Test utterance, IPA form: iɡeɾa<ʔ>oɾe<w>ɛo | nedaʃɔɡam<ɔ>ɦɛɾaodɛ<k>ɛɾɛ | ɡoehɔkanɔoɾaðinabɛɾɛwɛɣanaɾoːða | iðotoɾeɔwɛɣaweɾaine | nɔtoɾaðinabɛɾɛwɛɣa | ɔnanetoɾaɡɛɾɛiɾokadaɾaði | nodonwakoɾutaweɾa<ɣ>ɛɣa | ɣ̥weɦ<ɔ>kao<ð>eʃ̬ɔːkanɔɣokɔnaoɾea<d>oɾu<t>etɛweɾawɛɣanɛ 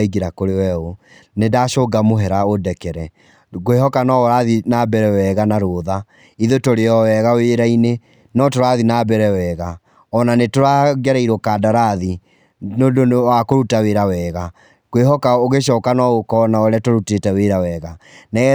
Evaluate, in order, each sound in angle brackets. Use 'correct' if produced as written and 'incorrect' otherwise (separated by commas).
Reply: incorrect, correct, incorrect, correct, incorrect, correct, incorrect, incorrect, correct